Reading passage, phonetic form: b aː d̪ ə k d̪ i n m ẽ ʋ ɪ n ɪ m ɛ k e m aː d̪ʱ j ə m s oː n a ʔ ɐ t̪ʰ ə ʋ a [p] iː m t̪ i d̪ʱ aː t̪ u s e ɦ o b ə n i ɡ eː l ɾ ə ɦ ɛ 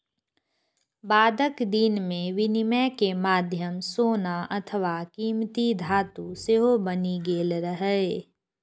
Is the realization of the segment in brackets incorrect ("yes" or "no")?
yes